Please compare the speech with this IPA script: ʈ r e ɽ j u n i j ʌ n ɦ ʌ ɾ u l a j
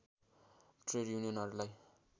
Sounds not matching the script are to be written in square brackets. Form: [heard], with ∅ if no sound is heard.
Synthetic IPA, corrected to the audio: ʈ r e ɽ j u n i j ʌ n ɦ ʌ ɾ u l a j